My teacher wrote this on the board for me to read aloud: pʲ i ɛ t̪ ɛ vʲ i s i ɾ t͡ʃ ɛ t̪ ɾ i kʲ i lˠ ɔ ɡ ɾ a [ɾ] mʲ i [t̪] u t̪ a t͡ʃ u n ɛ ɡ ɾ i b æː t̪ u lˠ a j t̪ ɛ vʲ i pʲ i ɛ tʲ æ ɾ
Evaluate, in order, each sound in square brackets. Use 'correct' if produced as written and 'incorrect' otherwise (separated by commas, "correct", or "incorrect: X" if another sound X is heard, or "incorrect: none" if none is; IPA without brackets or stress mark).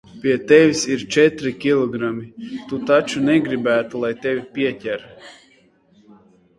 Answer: incorrect: none, correct